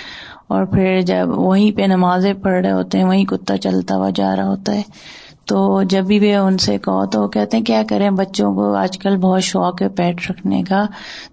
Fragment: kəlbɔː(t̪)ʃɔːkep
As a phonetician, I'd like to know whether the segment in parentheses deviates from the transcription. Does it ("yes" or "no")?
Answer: no